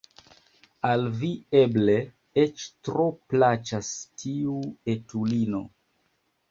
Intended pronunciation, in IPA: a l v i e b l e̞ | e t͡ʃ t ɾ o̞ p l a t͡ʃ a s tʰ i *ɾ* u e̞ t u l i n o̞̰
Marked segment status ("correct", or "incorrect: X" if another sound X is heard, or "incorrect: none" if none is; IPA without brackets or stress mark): incorrect: none